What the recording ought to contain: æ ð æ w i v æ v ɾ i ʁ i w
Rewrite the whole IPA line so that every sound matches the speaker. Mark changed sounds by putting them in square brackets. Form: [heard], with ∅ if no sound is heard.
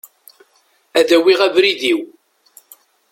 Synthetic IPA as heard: æ ð æ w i [ʁ] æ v ɾ i [ð] i w